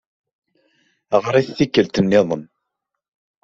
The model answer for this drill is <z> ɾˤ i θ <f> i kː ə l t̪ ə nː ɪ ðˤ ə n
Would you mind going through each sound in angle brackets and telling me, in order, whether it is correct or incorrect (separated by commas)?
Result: incorrect, incorrect